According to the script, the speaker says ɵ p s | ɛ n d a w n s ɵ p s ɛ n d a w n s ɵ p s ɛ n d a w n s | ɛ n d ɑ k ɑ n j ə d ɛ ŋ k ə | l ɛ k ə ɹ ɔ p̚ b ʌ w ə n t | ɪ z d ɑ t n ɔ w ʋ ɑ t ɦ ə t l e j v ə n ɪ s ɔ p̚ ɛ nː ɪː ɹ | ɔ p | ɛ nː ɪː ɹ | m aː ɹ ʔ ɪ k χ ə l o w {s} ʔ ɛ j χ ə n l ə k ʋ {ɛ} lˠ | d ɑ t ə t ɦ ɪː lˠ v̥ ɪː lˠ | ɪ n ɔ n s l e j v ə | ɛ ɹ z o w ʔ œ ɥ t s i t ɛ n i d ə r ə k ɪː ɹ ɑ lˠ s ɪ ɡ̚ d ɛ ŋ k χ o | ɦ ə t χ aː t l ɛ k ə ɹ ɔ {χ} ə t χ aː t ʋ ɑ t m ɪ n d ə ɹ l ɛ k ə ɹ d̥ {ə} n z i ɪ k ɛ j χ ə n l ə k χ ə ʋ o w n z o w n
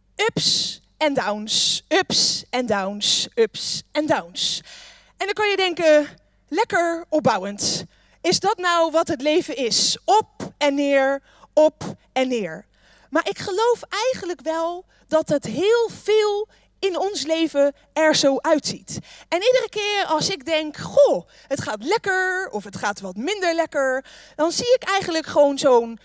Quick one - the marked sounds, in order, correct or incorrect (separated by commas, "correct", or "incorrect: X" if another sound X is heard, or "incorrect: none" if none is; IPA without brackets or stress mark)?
incorrect: f, correct, incorrect: f, incorrect: ɑ